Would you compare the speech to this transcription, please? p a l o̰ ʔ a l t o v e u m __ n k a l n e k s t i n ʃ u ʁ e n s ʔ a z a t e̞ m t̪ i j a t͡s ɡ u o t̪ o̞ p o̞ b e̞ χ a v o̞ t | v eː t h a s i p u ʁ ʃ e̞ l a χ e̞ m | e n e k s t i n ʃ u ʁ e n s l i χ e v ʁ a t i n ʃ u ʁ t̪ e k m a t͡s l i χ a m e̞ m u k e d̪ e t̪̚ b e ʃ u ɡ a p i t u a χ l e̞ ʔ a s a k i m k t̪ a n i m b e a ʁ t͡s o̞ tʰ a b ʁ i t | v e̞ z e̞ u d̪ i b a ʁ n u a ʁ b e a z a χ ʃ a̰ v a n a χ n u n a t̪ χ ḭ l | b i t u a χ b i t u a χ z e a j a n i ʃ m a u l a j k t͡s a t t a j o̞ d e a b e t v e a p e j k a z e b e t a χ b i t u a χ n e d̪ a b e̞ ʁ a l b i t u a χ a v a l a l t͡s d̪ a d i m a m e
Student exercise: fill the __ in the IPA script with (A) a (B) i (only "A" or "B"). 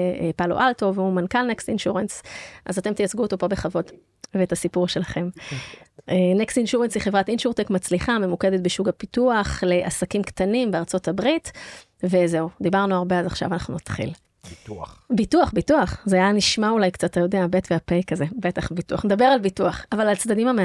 A